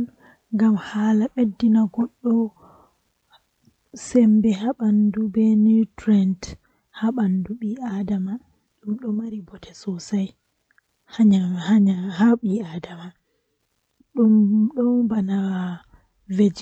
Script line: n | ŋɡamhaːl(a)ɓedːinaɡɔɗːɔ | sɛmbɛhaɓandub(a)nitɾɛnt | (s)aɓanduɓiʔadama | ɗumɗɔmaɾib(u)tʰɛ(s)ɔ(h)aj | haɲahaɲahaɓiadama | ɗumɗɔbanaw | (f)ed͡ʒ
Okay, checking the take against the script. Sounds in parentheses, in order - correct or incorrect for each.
correct, incorrect, incorrect, incorrect, correct, incorrect, incorrect

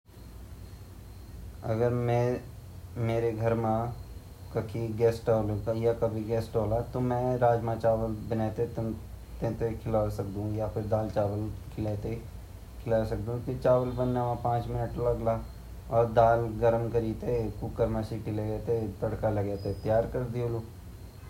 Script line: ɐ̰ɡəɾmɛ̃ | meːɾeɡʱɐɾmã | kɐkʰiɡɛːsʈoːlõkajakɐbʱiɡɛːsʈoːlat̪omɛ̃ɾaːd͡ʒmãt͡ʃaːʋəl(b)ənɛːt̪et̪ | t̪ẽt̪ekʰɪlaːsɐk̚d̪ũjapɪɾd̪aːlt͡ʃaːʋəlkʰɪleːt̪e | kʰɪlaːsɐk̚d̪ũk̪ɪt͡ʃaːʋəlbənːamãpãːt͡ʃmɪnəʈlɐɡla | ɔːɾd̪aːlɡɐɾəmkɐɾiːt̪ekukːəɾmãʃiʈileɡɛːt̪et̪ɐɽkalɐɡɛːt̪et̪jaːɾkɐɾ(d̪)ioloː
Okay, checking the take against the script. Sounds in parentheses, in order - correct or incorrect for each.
correct, correct

